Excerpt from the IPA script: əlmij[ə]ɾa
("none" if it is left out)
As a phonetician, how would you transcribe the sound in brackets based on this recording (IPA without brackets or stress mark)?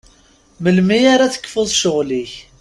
a